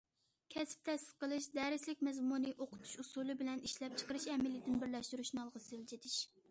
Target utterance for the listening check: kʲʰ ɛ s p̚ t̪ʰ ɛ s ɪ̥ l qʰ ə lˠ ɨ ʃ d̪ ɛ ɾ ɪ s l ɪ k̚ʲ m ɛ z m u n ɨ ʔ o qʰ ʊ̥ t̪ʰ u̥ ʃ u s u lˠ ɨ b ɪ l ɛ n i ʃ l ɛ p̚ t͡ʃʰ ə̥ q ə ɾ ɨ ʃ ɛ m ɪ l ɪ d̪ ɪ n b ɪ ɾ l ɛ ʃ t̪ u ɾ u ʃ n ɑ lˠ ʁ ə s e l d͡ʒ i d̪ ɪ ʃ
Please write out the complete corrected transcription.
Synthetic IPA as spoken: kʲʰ ɛ s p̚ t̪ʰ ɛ s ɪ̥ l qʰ ə lˠ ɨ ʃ d̪ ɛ ɾ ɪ s l ɪ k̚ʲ m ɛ z m u n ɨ ʔ o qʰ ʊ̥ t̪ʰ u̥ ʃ u s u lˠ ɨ b ɪ l ɛ n i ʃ l ɛ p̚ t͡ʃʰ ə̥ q ə ɾ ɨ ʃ ɛ m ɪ l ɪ d̪ ɪ n b ɪ ɾ l ɛ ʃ t̪ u ɾ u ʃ n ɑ lˠ ʁ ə s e l d͡ʒ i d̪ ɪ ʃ

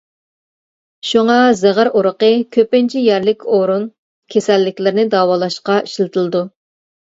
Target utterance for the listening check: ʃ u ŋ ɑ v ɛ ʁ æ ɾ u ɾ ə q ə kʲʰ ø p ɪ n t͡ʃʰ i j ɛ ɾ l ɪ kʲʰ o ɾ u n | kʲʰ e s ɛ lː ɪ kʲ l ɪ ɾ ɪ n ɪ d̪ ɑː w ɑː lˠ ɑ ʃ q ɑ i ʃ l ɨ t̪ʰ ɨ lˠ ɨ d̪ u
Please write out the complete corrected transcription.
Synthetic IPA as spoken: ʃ u ŋ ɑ z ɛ ʁ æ ɾ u ɾ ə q ə kʲʰ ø p ɪ n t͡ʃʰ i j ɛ ɾ l ɪ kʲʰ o ɾ u n | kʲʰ e s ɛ lː ɪ kʲ l ɪ ɾ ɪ n ɪ d̪ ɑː w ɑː lˠ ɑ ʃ q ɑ i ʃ l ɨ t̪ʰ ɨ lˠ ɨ d̪ u

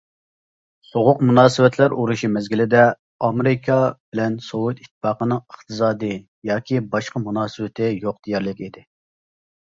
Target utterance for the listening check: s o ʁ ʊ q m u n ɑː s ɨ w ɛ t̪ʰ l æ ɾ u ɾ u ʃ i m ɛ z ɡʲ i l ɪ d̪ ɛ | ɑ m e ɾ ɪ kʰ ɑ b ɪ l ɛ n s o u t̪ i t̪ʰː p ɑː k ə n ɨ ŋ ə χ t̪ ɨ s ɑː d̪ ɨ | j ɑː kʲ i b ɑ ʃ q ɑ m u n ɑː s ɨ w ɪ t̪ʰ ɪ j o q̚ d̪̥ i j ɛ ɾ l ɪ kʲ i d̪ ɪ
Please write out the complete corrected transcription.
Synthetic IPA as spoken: s o ʁ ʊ q m u n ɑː s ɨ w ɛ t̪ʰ l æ ɾ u ɾ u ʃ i m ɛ z ɡʲ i l ɪ d̪ ɛ | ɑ m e ɾ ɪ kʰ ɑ b ɪ l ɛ n s o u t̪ i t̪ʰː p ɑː q ə n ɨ ŋ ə χ t̪ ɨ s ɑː d̪ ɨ | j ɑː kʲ i b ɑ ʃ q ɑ m u n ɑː s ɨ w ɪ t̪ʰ ɪ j o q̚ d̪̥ i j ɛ ɾ l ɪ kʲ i d̪ ɪ

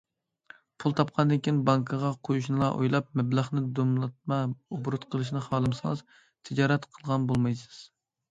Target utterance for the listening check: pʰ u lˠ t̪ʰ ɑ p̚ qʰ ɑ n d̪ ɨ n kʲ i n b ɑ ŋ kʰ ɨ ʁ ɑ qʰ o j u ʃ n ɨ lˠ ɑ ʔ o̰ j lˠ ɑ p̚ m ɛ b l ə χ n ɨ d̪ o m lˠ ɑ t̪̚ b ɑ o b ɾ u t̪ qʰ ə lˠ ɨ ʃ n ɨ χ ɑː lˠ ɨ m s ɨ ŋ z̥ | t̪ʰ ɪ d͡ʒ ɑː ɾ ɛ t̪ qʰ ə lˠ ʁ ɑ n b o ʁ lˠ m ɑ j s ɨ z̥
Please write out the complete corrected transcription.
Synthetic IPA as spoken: pʰ u lˠ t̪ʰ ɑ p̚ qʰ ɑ n d̪ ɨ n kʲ i n b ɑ ŋ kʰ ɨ ʁ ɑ qʰ o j u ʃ n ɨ lˠ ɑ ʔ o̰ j lˠ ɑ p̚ m ɛ b l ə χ n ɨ d̪ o m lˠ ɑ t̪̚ m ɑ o b ɾ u t̪ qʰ ə lˠ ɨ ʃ n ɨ χ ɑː lˠ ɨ m s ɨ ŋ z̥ | t̪ʰ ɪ d͡ʒ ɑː ɾ ɛ t̪ qʰ ə lˠ ʁ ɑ n b o lˠ m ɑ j s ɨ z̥

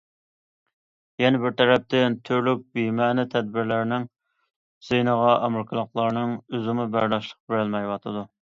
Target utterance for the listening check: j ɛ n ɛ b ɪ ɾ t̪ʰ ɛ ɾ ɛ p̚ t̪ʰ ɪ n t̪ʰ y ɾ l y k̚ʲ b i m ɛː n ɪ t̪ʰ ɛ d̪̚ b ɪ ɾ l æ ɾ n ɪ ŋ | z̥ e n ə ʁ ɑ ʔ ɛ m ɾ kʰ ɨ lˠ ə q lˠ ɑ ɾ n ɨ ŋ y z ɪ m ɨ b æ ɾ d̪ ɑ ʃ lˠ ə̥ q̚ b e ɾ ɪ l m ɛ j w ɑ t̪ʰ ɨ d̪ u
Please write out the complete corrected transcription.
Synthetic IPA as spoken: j ɛ n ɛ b ɪ ɾ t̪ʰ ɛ ɾ ɛ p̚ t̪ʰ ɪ n t̪ʰ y ɾ l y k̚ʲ b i m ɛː n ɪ t̪ʰ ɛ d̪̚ b ɪ ɾ l æ ɾ n ɪ ŋ | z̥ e n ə ʁ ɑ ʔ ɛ m ɾ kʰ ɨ lˠ ə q lˠ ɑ ɾ n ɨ ŋ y z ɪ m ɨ b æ ɾ d̪ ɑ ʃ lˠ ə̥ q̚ b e ɾ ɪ l m ɛ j w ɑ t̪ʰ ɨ d̪ u

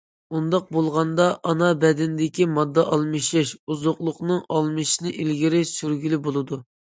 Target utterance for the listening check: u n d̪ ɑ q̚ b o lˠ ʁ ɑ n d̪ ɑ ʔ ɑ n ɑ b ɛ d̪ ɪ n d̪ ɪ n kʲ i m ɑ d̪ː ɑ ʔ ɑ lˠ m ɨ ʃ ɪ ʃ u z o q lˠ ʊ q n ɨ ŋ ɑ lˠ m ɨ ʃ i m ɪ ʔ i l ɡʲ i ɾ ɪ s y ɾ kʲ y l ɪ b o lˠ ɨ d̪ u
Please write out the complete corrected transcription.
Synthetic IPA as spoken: u n d̪ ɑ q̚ b o lˠ ʁ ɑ n d̪ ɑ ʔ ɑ n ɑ b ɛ d̪ ɪ n d̪ ɪ kʲ i m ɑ d̪ː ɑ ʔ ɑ lˠ m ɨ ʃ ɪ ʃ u z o q lˠ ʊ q n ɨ ŋ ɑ lˠ m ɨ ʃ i n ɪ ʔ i l ɡʲ i ɾ ɪ s y ɾ ɡʲ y l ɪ b o lˠ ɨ d̪ u

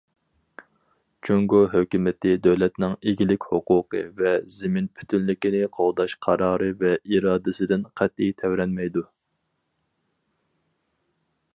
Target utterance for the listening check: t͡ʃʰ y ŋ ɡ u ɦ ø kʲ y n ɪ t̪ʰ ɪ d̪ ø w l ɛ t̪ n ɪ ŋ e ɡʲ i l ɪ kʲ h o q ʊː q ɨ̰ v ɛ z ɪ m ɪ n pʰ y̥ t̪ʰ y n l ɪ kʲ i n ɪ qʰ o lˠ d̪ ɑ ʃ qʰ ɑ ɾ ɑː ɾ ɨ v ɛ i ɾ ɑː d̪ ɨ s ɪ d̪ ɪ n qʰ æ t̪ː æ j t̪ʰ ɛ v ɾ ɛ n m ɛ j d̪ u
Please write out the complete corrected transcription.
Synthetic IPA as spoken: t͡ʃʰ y ŋ ɡ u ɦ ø kʲ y m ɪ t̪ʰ ɪ d̪ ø w l ɛ t̪ n ɪ ŋ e ɡʲ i l ɪ kʲ h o q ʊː q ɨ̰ v ɛ z ɪ m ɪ n pʰ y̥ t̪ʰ y n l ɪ kʲ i n ɪ qʰ o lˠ d̪ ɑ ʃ qʰ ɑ ɾ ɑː ɾ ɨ v ɛ i ɾ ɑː d̪ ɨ s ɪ d̪ ɪ n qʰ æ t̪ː i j t̪ʰ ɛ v ɾ ɛ n m ɛ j d̪ u

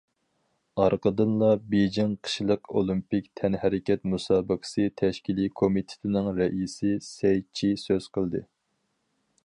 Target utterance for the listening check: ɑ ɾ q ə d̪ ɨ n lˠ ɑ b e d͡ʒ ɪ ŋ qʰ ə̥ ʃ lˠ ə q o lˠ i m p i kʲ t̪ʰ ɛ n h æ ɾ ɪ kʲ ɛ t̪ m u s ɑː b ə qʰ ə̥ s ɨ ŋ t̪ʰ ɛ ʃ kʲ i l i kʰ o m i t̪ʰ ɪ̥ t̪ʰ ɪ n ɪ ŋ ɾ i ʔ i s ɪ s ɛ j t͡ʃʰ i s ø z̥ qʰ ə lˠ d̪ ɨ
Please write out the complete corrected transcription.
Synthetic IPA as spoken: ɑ ɾ q ə d̪ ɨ n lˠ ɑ b e d͡ʒ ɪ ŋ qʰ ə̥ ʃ lˠ ə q o lˠ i m p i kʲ t̪ʰ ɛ n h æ ɾ ɪ kʲ ɛ t̪ m u s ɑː b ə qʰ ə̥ s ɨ t̪ʰ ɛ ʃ kʲ i l i kʰ o m i t̪ʰ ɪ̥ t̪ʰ ɪ n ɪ ŋ ɾ ɛ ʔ i s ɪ s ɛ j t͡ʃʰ i s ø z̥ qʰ ə lˠ d̪ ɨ

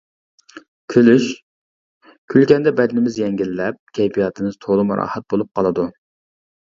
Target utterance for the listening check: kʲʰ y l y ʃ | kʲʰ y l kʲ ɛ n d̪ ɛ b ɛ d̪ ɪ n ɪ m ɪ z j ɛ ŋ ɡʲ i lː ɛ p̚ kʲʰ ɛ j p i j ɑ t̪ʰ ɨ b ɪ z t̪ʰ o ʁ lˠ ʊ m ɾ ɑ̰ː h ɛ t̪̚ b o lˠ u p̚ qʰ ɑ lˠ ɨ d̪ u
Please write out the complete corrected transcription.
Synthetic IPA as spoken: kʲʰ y l y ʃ | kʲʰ y l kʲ ɛ n d̪ ɛ b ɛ d̪ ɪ n ɪ m ɪ z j ɛ ŋ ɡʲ i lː ɛ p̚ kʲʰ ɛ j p i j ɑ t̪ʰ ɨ m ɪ z t̪ʰ o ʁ lˠ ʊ m ɾ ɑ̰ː h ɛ t̪̚ b o lˠ u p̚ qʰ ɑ lˠ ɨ d̪ u

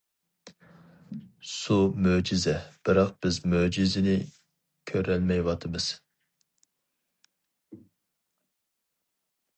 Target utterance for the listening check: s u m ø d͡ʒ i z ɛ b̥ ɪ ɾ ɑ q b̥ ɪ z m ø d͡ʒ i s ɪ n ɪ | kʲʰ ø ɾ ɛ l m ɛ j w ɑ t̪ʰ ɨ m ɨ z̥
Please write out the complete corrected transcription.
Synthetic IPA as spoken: s u m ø d͡ʒ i z ɛ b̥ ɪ ɾ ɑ q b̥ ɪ z m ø d͡ʒ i z ɪ n ɪ | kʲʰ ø ɾ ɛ l m ɛ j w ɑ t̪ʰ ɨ m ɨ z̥

